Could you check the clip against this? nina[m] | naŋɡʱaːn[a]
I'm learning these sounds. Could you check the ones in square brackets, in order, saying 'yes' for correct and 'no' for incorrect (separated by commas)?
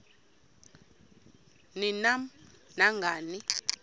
yes, no